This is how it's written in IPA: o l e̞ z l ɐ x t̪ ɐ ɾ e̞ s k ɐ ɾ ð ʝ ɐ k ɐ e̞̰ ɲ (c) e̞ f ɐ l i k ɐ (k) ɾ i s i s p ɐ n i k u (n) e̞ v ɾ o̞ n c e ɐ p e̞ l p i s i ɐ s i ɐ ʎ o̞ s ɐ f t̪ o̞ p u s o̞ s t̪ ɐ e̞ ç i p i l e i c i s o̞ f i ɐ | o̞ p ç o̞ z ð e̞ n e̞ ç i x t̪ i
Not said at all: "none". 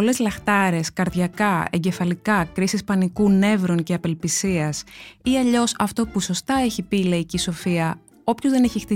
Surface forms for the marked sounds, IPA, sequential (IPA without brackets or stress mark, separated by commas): ɟ, k, n